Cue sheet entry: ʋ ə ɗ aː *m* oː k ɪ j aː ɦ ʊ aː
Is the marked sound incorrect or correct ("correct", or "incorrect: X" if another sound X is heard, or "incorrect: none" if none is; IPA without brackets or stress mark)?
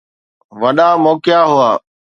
correct